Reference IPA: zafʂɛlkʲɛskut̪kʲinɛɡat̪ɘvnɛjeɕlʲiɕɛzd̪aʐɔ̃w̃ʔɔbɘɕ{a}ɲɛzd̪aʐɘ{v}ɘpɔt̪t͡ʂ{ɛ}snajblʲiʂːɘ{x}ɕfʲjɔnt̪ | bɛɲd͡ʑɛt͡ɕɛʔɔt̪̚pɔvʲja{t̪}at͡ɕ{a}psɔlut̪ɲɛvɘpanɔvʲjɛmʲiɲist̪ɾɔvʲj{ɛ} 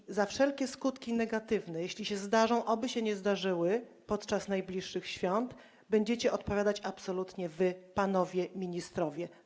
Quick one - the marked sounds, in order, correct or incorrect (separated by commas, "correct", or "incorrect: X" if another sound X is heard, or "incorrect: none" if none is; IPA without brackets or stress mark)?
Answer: incorrect: ɛ, incorrect: w, incorrect: a, correct, incorrect: d̪, correct, correct